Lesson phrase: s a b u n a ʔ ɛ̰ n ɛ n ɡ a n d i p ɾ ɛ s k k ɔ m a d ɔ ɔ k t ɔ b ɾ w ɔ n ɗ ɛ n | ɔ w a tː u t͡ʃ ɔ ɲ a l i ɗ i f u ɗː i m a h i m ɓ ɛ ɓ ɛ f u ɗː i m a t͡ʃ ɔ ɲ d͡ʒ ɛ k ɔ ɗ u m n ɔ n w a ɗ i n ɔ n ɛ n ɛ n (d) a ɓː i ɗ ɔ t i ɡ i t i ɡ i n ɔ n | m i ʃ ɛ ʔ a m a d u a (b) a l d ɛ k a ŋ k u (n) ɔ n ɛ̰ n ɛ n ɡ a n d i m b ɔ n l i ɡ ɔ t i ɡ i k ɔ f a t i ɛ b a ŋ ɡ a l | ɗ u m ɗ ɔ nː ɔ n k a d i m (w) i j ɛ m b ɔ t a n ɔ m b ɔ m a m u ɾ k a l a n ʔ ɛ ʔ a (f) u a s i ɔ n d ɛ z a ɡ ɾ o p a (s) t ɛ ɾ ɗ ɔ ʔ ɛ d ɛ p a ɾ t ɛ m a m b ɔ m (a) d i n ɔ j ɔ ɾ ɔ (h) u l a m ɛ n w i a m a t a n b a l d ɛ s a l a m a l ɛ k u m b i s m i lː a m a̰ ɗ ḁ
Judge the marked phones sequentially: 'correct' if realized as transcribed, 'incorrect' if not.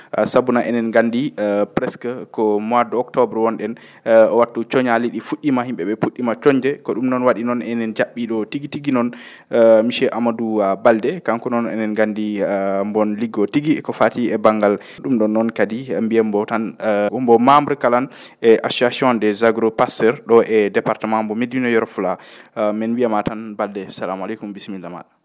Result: incorrect, correct, correct, incorrect, incorrect, correct, incorrect, incorrect

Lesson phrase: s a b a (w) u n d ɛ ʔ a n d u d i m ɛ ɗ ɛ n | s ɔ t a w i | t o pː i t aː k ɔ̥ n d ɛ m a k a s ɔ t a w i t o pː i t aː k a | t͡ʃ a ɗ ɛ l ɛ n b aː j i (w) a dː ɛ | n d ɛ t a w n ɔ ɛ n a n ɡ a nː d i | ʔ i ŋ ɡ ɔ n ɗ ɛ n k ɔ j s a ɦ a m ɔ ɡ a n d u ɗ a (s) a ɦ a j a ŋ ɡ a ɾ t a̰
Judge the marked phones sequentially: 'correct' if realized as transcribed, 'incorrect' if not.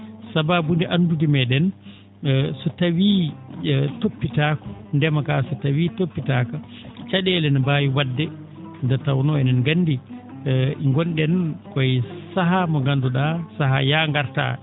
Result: incorrect, correct, correct

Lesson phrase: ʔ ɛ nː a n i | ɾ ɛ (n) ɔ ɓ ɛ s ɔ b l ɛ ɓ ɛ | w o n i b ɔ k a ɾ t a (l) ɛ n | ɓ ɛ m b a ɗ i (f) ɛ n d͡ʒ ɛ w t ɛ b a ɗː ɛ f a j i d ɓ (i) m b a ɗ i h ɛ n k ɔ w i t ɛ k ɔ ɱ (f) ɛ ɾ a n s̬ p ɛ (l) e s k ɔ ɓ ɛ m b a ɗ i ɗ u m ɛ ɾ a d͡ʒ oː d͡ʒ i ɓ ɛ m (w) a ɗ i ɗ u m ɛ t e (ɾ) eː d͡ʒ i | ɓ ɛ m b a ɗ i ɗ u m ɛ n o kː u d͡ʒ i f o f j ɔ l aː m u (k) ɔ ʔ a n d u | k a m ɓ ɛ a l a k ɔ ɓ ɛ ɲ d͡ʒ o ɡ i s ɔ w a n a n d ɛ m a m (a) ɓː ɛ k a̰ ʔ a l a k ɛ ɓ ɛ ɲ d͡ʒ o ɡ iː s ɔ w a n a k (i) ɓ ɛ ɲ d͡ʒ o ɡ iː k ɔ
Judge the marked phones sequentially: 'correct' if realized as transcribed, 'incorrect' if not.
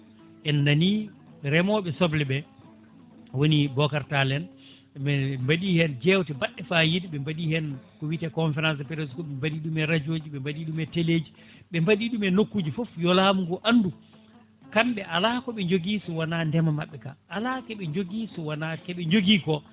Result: incorrect, correct, incorrect, incorrect, correct, incorrect, incorrect, incorrect, incorrect, correct, incorrect

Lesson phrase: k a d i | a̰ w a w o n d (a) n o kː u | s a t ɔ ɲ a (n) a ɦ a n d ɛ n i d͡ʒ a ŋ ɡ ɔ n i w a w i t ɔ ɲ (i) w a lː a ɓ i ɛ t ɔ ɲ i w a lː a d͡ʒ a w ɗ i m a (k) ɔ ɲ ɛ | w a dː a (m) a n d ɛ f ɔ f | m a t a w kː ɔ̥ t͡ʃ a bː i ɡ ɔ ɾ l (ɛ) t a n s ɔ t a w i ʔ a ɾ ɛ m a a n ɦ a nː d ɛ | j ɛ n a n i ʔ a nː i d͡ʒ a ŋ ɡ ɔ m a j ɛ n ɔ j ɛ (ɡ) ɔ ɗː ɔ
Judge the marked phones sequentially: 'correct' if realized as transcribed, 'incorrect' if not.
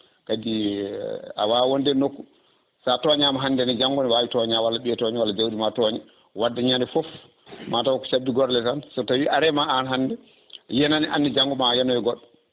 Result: incorrect, incorrect, incorrect, incorrect, incorrect, correct, correct

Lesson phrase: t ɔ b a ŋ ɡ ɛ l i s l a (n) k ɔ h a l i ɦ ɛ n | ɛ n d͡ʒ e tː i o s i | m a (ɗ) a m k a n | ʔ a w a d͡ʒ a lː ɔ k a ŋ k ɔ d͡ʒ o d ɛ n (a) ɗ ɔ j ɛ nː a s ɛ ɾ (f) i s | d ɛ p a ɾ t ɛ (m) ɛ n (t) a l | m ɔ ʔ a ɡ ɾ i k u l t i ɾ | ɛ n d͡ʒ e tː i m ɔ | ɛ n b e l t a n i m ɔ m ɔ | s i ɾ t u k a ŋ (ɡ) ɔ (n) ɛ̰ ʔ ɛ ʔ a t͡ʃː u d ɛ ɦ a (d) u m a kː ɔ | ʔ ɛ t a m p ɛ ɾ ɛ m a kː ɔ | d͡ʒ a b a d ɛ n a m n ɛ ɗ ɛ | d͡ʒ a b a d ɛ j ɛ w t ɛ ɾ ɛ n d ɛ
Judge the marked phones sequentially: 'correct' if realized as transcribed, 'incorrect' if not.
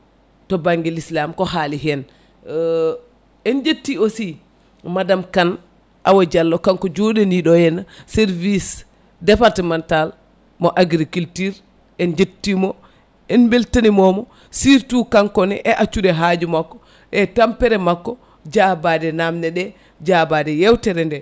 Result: incorrect, incorrect, incorrect, incorrect, correct, correct, incorrect, correct, incorrect

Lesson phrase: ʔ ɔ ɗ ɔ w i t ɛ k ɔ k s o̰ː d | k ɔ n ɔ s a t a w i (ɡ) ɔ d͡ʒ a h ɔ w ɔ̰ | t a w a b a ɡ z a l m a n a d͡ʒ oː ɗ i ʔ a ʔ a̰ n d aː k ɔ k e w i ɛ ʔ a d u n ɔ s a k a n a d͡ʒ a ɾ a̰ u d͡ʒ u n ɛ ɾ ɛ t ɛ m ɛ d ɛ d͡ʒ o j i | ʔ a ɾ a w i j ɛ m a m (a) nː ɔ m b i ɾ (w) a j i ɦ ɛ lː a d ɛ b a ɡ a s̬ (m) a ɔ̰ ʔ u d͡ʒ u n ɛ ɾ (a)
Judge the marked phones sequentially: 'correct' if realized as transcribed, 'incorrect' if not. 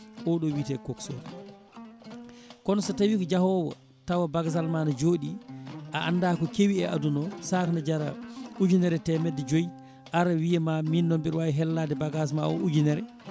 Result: incorrect, incorrect, correct, correct, incorrect

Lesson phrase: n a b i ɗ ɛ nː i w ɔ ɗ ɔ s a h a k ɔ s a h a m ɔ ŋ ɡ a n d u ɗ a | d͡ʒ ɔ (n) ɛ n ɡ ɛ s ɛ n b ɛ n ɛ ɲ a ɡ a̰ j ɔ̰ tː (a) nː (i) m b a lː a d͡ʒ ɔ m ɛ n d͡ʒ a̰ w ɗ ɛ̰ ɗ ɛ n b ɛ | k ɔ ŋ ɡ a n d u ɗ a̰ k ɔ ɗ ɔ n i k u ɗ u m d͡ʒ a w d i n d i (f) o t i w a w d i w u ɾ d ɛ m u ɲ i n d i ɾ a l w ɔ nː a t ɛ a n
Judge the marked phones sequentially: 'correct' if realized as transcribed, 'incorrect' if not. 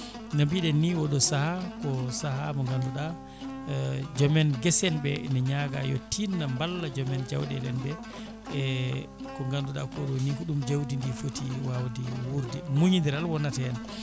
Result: incorrect, incorrect, incorrect, correct

